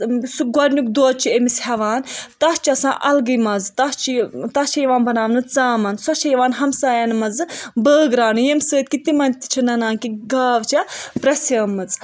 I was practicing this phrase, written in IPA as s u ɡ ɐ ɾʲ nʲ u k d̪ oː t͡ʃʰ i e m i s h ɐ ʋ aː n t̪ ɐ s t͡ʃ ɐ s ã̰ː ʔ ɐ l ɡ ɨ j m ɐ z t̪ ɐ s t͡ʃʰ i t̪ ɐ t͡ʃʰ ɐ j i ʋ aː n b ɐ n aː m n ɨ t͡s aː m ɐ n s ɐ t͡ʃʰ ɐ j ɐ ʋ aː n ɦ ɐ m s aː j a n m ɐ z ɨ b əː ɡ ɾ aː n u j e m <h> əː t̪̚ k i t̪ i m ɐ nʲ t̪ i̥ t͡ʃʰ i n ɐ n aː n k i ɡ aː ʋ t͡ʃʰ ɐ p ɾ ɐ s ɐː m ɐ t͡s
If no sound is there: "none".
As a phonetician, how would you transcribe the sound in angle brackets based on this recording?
s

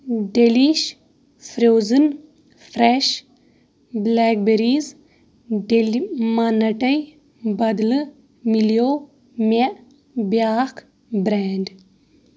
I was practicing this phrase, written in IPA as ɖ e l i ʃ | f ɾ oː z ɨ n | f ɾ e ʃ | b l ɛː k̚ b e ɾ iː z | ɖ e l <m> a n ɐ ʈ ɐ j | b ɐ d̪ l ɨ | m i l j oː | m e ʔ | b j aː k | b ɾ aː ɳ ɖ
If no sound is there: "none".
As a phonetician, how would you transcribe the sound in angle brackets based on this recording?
m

